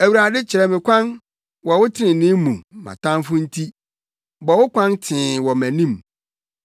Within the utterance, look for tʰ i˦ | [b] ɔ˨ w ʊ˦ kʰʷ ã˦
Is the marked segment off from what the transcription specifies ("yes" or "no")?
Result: no